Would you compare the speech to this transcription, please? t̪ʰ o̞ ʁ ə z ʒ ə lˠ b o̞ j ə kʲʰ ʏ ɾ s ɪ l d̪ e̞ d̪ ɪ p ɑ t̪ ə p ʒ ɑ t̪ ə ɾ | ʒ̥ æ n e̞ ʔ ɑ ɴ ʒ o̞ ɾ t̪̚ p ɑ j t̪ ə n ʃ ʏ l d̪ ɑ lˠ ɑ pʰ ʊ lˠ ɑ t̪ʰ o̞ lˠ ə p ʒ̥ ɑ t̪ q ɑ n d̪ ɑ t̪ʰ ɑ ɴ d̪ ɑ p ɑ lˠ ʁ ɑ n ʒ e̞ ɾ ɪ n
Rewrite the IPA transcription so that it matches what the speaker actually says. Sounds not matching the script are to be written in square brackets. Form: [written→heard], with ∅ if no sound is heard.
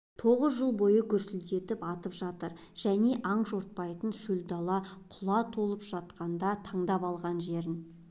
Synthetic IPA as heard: t̪ʰ o̞ ʁ ə z ʒ ə lˠ b o̞ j ə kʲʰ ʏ ɾ s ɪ l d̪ e̞ [d̪→t̪] ɪ p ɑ t̪ ə p ʒ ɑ t̪ ə ɾ | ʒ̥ æ n e̞ ʔ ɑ ɴ ʒ o̞ ɾ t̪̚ p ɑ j t̪ ə n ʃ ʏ l d̪ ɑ lˠ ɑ [pʰ→qʰ] ʊ lˠ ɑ t̪ʰ o̞ lˠ ə p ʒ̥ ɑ t̪ q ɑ n d̪ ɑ t̪ʰ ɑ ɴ d̪ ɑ p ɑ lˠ ʁ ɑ n ʒ e̞ ɾ ɪ n